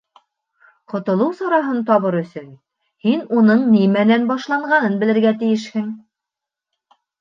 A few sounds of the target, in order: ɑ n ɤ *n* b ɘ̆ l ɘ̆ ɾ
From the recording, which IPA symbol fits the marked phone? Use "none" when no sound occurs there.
n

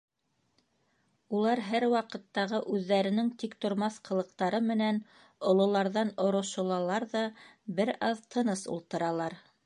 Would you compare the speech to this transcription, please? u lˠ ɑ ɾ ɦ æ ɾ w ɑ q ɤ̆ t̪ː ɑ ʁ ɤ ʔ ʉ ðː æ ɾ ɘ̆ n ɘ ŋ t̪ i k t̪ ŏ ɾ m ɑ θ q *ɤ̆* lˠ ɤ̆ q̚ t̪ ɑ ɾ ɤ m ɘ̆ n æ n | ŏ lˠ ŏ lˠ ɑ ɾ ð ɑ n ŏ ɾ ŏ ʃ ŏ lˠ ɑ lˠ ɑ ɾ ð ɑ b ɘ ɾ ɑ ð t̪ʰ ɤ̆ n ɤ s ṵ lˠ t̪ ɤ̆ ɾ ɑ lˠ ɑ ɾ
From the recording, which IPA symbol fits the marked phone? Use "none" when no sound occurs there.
ɤ̆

